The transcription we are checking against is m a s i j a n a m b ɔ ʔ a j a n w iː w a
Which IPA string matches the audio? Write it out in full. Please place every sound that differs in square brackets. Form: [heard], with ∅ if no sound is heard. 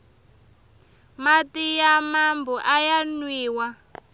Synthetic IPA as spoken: m a [t] i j a [m] a m b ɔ ʔ a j a n w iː w a